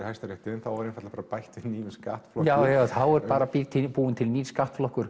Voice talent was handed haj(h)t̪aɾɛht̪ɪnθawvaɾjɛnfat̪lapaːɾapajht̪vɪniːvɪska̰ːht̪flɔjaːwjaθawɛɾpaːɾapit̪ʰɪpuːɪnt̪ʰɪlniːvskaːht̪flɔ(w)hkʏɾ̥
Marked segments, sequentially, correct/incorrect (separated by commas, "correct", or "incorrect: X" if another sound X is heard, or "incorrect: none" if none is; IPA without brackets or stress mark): incorrect: s, incorrect: none